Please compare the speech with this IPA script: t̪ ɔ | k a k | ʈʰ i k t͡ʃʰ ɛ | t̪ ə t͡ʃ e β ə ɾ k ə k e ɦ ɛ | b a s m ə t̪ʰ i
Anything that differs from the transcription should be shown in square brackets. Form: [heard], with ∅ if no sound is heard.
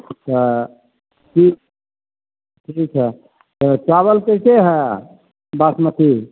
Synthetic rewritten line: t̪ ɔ | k [i] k | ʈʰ i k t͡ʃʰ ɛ | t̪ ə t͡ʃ [a] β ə [l] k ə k e ɦ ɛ | b a s m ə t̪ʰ i

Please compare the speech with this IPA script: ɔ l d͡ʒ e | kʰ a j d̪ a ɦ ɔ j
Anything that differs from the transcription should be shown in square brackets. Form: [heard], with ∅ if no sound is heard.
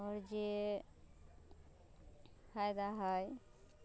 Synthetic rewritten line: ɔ [ɾ] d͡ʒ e | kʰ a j d̪ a ɦ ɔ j

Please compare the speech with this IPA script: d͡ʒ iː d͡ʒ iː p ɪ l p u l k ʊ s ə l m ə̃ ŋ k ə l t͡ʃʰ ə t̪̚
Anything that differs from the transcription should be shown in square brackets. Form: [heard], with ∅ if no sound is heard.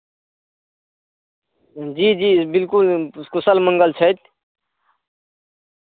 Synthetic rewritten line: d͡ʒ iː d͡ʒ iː [b] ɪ l [k] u l k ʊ s ə l m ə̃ ŋ [ɡ] ə l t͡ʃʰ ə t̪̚

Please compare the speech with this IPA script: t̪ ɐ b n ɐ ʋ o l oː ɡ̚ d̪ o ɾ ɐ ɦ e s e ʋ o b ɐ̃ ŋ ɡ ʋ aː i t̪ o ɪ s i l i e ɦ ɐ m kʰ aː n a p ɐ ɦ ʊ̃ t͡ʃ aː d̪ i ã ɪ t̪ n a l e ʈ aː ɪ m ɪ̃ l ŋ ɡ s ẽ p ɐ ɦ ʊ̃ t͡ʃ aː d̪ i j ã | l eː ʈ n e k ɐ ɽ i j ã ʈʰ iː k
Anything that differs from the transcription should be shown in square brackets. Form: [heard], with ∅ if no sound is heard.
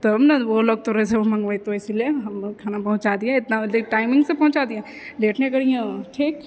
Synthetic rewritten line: t̪ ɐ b n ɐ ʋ o l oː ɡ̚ [t̪] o ɾ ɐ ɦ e s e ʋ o [m] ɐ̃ ŋ ɡ ʋ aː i t̪ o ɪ s i l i e ɦ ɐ m kʰ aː n a p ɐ ɦ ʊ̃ t͡ʃ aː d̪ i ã ɪ t̪ n a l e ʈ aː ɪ m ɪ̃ [∅] ŋ ɡ s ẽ p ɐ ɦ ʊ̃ t͡ʃ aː d̪ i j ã | l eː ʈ n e k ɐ ɽ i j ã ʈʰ iː k

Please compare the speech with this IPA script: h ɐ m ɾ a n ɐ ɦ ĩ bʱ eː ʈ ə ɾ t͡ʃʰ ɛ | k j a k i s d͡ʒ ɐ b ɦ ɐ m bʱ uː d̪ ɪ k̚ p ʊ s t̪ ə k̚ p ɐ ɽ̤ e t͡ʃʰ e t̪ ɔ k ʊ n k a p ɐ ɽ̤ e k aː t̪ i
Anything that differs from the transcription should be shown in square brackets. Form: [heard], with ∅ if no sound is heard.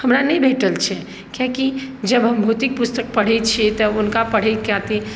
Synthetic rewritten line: h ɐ m ɾ a n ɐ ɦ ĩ bʱ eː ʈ ə [l] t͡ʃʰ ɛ | k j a k i [∅] d͡ʒ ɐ b ɦ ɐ m bʱ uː [t̪] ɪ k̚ p ʊ s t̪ ə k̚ p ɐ ɽ̤ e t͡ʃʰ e t̪ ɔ [∅] ʊ n k a p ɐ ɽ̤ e k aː t̪ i

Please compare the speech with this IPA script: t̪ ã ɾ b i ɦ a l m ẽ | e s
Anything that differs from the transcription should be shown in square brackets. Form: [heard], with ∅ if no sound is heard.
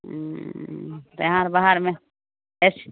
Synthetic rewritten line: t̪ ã ɾ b [a] ɦ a [ɾ] m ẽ | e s

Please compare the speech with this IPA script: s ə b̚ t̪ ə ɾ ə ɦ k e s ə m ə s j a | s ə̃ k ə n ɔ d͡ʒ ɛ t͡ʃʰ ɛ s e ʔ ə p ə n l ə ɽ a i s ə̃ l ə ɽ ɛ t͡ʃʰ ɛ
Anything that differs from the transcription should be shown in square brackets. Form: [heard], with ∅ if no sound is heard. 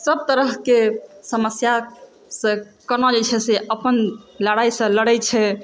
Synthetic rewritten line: s ə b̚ t̪ ə ɾ ə ɦ k e s ə m ə s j a | s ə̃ k ə n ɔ d͡ʒ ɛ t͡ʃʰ ɛ s e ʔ ə p ə n l ə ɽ a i s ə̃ l ə ɽ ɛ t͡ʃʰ ɛ

